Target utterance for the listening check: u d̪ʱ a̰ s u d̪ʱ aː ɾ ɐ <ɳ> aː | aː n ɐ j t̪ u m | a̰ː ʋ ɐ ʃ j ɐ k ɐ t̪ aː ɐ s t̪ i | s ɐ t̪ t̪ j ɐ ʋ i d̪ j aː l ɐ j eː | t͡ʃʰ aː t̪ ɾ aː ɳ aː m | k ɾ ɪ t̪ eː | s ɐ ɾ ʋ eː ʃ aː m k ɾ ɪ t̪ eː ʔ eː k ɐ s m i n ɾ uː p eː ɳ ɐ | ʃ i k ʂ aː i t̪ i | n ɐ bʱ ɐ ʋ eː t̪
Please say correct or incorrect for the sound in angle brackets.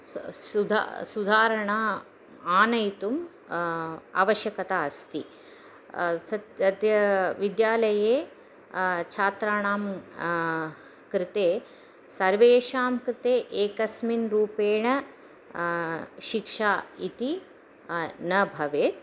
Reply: correct